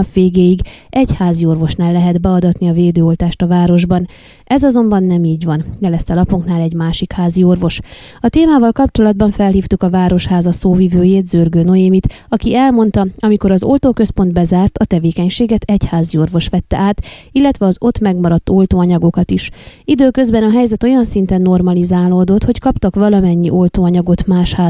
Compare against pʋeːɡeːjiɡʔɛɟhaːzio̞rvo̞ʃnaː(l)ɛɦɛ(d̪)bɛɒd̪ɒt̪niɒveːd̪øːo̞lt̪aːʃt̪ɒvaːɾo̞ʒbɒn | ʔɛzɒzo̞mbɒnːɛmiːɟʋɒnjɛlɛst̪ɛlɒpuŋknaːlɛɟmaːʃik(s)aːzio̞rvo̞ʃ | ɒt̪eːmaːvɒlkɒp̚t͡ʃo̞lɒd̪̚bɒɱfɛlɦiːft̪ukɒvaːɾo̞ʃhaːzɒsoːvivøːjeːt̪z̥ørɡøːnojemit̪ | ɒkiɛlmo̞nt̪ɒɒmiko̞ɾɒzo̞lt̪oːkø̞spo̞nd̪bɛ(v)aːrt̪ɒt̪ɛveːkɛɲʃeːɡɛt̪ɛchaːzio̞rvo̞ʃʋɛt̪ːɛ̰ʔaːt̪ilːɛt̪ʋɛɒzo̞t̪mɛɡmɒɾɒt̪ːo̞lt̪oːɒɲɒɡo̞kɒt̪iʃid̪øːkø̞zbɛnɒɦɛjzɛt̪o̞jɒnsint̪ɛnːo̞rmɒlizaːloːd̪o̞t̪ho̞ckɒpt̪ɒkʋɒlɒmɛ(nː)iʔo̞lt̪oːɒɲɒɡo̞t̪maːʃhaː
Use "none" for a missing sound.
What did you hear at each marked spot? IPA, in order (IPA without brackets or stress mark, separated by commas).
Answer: lː, d̪, h, z, ɲː